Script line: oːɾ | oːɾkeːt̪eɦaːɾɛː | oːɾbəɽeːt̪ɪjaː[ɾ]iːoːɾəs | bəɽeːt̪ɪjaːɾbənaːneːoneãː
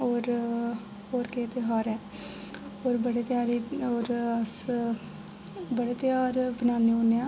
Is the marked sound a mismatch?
no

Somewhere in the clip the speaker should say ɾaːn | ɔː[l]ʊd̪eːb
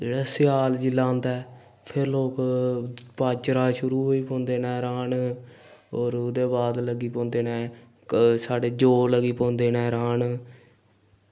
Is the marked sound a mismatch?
yes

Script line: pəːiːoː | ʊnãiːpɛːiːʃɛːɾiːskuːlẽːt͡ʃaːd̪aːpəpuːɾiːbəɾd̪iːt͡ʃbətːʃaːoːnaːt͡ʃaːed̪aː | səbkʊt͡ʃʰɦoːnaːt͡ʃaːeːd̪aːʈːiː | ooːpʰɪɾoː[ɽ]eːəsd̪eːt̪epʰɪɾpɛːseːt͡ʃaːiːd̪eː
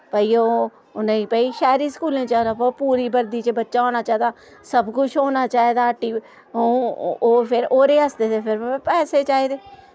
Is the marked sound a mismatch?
yes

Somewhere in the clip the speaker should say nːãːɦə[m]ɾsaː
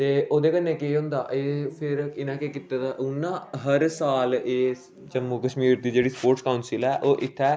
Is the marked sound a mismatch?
yes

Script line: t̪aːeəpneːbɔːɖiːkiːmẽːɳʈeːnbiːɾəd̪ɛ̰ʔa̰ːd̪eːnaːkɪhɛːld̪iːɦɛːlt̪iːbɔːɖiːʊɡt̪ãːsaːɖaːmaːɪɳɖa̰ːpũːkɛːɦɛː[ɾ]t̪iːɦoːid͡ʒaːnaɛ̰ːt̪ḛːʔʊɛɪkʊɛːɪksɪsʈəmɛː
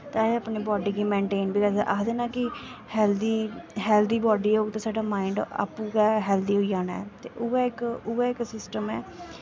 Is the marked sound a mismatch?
yes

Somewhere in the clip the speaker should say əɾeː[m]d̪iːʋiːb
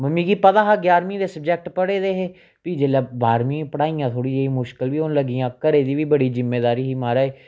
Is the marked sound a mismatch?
yes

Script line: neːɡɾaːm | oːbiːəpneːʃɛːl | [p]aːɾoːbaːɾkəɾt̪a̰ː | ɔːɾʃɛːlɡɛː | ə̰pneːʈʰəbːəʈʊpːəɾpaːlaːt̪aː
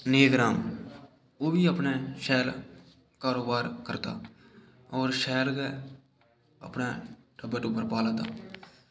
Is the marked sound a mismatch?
yes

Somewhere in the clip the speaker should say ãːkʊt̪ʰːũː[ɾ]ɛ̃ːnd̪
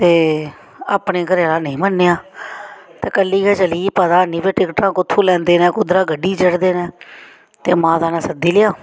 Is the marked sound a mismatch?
yes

